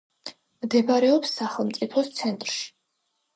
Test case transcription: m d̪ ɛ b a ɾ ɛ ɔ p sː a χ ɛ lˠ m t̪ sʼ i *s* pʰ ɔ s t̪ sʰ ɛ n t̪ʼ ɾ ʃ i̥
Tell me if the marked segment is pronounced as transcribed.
no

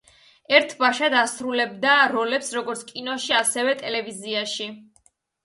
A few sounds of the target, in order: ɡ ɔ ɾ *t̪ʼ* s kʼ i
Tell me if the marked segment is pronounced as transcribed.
no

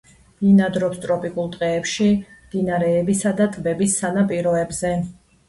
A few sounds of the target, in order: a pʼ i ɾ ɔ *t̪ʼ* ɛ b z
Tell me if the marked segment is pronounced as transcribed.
no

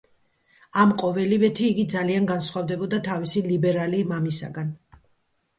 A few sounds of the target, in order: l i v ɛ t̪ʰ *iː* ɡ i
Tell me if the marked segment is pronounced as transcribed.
yes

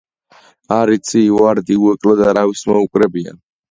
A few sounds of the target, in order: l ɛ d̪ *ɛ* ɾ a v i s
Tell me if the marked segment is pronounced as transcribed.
no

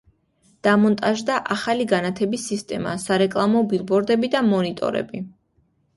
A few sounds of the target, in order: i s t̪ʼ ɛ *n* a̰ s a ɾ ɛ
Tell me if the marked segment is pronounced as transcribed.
no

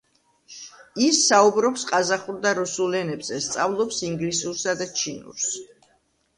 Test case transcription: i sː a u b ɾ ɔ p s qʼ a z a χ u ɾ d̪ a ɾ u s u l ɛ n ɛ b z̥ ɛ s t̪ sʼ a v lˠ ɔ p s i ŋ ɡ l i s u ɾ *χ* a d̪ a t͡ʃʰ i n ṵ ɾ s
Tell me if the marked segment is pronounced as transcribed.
no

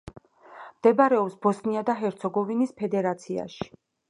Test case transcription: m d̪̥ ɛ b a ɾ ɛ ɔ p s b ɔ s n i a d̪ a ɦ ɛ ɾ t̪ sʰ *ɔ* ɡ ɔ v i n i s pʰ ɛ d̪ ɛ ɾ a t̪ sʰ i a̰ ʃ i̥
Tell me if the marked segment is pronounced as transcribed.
yes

